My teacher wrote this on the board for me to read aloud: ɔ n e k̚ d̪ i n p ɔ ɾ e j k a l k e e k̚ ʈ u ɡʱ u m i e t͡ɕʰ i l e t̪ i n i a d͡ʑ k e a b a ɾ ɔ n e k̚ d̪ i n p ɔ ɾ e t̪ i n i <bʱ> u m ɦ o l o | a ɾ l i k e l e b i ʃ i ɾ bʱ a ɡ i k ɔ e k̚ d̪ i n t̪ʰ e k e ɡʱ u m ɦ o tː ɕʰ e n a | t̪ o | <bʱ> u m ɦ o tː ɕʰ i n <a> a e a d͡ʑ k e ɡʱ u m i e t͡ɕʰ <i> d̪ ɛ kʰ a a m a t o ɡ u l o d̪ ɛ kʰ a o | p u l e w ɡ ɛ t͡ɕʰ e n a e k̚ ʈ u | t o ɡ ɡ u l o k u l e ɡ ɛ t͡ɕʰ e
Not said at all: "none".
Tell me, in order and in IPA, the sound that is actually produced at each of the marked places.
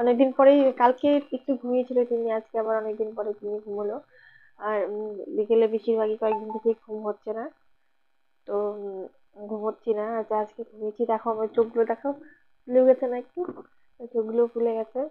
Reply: ɡʱ, ɡʱ, a, i

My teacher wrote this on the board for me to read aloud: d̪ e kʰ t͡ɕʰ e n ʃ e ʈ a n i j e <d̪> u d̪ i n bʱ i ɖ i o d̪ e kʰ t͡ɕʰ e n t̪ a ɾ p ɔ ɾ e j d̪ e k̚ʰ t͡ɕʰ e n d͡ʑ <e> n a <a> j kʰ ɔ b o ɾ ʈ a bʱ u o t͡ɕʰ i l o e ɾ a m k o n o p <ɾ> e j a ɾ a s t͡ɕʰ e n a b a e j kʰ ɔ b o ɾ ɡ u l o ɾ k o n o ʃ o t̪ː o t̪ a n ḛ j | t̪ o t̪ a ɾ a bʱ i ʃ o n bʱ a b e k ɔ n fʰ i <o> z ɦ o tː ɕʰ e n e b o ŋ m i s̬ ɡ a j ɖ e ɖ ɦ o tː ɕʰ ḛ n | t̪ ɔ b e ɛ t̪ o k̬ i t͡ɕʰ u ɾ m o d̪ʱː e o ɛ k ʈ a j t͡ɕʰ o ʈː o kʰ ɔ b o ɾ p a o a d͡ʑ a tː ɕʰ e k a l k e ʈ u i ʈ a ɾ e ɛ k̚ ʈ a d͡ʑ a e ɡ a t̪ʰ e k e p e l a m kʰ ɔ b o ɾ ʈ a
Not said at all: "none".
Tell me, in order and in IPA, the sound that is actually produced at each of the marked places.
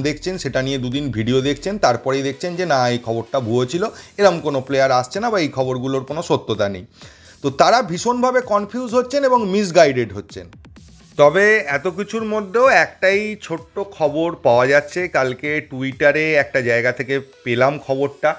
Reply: d̪, e, e, l, u

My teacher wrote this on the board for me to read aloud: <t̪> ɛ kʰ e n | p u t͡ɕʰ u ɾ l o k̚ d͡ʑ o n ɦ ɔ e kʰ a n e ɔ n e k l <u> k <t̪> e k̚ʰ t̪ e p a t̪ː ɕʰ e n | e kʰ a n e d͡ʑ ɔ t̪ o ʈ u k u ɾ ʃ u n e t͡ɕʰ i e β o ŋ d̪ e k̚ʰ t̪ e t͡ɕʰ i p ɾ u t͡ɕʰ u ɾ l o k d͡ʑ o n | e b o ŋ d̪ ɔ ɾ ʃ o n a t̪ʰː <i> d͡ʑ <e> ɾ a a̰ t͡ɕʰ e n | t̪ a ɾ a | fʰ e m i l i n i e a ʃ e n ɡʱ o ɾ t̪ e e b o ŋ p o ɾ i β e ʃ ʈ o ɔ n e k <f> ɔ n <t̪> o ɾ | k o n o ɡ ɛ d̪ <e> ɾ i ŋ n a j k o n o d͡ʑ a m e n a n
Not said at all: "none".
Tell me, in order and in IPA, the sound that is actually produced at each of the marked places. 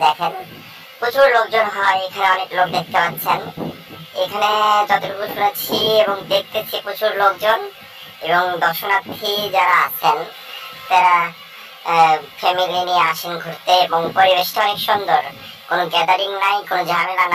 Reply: d̪, o, d̪, i, a, ʃ, d̪, a

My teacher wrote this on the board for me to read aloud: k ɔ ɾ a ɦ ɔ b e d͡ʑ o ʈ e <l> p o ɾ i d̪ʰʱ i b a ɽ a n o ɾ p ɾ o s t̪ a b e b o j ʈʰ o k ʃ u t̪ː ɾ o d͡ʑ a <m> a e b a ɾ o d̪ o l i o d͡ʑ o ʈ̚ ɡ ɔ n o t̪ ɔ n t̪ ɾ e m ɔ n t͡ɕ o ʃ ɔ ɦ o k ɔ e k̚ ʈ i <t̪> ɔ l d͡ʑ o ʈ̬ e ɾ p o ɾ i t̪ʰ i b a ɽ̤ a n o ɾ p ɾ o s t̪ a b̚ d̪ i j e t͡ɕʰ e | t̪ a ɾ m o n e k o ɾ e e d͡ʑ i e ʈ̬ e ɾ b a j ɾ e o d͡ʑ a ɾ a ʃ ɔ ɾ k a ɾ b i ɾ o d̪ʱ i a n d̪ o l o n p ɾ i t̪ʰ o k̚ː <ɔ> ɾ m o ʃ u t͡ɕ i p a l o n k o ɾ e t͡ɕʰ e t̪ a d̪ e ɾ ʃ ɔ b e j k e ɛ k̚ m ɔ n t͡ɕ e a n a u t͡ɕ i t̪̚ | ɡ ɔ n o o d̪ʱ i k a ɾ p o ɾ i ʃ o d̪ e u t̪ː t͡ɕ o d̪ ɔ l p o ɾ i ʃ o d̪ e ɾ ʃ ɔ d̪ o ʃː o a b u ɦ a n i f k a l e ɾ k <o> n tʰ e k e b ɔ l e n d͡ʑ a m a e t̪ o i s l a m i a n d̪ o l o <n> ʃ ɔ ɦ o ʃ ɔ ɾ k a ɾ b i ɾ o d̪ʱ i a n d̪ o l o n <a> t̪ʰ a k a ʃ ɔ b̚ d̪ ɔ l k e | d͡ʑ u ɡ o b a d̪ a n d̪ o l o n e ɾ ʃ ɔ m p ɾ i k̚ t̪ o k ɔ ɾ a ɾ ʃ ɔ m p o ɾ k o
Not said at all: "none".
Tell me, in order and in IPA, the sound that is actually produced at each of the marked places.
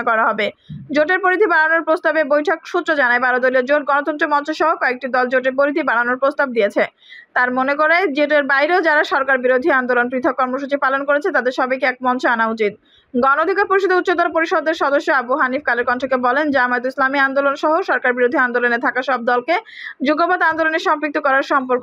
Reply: ɾ, n, d̪, ɔ, ɔ, n, e

